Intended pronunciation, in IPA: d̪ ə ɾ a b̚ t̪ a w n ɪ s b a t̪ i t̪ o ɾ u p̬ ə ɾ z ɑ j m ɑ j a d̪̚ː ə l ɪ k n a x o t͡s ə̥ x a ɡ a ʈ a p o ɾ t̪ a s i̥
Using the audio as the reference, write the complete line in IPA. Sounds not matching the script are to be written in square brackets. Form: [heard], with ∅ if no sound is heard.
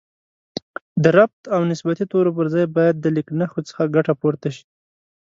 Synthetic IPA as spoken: d̪ ə ɾ a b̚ t̪ a w n ɪ s b a t̪ i t̪ o ɾ [o] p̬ ə ɾ z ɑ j [b] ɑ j a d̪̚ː ə l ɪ k n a x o t͡s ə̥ x a ɡ a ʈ a p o ɾ t̪ a [ʃ] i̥